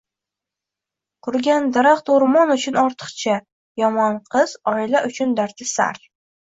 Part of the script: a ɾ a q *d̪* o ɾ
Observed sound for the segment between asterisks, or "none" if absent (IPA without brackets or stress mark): t̪